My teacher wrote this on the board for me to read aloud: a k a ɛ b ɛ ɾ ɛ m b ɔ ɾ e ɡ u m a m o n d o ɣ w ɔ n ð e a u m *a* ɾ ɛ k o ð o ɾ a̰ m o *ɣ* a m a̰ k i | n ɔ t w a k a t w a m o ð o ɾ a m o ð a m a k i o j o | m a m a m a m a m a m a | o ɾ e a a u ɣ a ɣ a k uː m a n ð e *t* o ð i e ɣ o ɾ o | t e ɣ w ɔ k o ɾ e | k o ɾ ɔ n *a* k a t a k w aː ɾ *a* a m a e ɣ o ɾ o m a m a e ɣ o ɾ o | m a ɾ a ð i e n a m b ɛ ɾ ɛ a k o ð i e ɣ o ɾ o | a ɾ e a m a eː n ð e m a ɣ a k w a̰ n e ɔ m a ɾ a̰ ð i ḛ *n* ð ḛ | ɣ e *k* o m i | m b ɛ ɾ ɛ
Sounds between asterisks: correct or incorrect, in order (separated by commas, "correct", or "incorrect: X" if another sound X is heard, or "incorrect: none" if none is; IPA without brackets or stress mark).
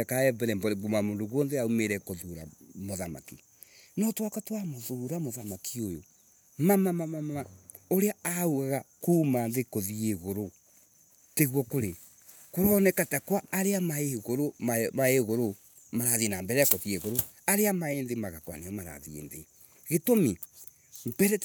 incorrect: e, incorrect: ð, incorrect: k, incorrect: ɛ, incorrect: e, correct, incorrect: t